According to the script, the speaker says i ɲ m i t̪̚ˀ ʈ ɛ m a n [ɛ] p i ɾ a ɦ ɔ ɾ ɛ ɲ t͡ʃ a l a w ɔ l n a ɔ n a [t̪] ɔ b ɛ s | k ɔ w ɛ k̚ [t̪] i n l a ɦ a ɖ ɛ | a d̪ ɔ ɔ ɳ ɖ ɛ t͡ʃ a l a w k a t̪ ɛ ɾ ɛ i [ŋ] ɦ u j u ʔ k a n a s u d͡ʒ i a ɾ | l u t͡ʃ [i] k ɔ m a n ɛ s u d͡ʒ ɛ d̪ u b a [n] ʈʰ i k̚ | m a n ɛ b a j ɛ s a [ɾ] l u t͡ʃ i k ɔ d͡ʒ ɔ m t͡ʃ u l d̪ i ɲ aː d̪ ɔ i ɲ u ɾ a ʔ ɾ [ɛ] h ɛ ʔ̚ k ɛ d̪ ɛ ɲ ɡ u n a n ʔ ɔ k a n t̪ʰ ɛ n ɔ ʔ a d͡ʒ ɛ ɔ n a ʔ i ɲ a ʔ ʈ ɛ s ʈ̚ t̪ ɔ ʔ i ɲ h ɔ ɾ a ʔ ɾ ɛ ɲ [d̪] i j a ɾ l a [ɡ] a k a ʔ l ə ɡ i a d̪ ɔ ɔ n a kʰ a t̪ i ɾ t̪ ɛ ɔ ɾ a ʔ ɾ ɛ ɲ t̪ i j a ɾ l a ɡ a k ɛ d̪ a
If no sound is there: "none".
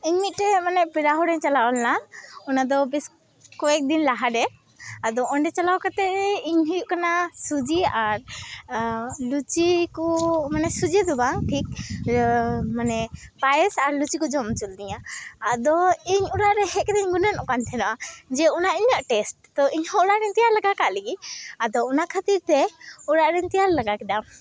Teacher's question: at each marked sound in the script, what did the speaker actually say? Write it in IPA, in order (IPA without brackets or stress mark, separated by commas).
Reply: ɛ, d̪, d̪, ɲ, i, ŋ, ɾ, ɛ, t̪, ɡ